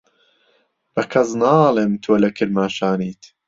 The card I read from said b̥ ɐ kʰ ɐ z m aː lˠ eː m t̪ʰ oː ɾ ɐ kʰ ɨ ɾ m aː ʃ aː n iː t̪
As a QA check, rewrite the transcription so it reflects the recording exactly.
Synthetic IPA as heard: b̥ ɐ kʰ ɐ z n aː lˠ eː m t̪ʰ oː l ɐ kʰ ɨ ɾ m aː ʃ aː n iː t̪

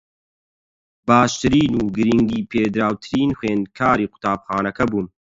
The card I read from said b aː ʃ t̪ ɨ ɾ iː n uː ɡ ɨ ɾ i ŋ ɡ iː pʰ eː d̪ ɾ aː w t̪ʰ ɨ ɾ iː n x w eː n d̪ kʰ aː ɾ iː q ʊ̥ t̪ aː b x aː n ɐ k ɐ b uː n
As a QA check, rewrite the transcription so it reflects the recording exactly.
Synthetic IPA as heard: b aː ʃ t̪ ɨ ɾ iː n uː ɡ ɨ ɾ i ŋ ɡ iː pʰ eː d̪ ɾ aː w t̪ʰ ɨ ɾ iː n x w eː n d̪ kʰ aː ɾ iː q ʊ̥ t̪ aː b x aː n ɐ k ɐ b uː n

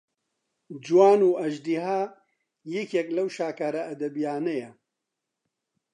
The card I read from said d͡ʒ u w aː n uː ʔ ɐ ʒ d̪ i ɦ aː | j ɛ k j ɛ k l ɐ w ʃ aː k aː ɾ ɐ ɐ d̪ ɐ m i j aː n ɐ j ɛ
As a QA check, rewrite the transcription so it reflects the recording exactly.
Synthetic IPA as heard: d͡ʒ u w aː n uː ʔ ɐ ʒ d̪ i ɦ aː | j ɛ k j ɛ k l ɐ w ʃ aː k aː ɾ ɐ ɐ d̪ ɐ b i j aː n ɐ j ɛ

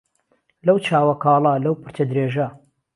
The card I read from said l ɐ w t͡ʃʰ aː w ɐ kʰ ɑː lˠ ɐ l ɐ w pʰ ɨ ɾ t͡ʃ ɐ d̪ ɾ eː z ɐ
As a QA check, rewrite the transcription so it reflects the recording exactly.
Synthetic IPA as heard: l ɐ w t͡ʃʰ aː w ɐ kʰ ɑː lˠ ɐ l ɐ w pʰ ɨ ɾ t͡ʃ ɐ d̪ ɾ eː ʒ ɐ

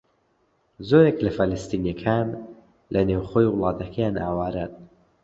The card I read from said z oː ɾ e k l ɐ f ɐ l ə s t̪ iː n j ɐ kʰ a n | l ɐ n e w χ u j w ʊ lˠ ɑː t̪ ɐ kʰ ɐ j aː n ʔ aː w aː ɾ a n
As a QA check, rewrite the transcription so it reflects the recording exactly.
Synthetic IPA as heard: z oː ɾ e k l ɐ f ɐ l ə s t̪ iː n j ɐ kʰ a n | l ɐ n e w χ o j w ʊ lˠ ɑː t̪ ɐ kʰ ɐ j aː n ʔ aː w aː ɾ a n

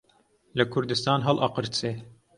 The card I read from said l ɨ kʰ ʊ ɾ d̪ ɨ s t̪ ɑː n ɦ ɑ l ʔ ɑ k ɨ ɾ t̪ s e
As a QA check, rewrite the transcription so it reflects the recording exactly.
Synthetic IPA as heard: l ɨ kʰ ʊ ɾ d̪ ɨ s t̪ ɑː n ɦ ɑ l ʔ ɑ q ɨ ɾ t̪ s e

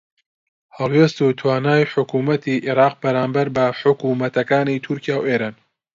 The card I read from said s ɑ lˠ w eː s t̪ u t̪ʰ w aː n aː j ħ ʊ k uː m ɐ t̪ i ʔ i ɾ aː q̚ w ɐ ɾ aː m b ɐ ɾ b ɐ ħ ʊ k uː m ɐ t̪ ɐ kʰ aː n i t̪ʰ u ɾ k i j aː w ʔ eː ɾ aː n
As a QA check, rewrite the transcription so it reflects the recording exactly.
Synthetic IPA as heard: h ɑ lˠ w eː s t̪ u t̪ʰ w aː n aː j ħ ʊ k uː m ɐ t̪ i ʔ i ɾ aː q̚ b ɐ ɾ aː m b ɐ ɾ b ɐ ħ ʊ k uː m ɐ t̪ ɐ k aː n i t̪ʰ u ɾ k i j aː w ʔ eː ɾ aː n

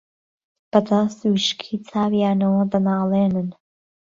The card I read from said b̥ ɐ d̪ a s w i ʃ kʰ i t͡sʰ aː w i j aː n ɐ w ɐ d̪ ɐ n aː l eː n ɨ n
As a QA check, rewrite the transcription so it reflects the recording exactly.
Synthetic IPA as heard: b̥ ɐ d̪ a s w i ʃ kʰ i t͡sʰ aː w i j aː n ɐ w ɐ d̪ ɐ n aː l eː n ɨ n

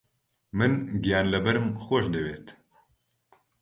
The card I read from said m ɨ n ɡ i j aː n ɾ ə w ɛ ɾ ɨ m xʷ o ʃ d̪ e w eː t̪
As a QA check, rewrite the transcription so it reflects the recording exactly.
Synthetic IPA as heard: m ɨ n ɡ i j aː n l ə b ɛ ɾ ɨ m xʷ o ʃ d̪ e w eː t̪

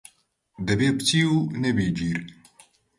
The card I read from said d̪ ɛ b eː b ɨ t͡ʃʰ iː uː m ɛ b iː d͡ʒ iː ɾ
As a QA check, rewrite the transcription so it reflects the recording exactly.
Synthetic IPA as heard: d̪ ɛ b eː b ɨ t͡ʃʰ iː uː n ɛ b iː d͡ʒ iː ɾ

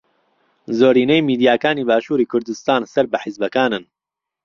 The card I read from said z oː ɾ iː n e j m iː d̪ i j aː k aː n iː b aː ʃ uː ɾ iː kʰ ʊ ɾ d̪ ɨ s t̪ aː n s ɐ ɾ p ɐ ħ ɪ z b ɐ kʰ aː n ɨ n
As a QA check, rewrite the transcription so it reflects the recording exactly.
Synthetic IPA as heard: z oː ɾ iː n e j m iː d̪ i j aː k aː n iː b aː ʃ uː ɾ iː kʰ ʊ ɾ d̪ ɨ s t̪ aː n s ɐ ɾ b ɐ ħ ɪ z b ɐ k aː n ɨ n

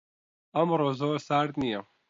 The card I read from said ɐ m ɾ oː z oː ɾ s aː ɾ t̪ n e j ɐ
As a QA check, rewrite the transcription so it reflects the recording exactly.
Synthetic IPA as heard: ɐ m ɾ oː z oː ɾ s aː ɾ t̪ n i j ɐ

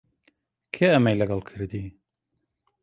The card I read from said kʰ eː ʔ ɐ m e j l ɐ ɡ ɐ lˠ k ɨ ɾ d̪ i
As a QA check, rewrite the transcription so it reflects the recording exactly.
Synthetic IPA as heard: kʰ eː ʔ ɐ m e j l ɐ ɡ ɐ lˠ kʰ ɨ ɾ d̪ i

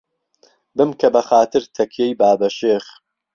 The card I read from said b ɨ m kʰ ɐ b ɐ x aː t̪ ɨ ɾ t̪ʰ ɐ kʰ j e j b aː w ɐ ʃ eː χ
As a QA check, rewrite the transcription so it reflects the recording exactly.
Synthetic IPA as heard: b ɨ m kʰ ɐ b ɐ x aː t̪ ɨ ɾ t̪ʰ ɐ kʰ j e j b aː b ɐ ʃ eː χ

